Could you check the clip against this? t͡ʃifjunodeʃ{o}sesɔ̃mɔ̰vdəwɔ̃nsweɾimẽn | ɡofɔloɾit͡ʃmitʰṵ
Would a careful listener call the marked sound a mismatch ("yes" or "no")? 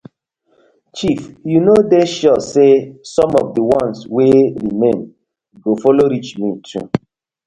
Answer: yes